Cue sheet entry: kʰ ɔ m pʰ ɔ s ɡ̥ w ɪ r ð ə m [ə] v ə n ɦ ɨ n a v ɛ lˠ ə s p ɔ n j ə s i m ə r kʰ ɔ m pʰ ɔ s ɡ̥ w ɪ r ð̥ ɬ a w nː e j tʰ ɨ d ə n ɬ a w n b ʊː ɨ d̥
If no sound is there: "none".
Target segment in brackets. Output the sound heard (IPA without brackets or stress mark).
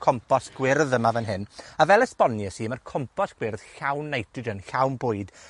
a